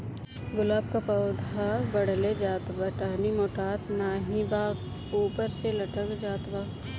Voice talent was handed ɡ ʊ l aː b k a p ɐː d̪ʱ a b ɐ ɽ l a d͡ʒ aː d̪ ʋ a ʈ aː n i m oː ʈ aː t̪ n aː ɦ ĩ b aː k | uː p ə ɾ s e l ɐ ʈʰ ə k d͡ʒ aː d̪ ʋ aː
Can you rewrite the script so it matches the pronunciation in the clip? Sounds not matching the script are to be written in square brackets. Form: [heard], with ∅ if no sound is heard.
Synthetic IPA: ɡ ʊ l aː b k a p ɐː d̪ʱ a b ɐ ɽ l [e] d͡ʒ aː [t̪] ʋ a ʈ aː n i m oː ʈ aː t̪ n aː ɦ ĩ b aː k | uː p ə ɾ s e l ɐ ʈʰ ə k d͡ʒ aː [t̪] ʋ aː